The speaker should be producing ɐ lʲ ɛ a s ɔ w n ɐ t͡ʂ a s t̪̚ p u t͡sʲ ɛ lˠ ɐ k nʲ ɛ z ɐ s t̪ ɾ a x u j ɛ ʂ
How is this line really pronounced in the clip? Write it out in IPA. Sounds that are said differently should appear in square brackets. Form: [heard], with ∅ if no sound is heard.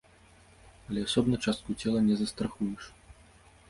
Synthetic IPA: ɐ lʲ ɛ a s ɔ [b] n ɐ t͡ʂ a s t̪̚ [k] u t͡sʲ ɛ lˠ ɐ [∅] nʲ ɛ z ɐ s t̪ ɾ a x u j ɛ ʂ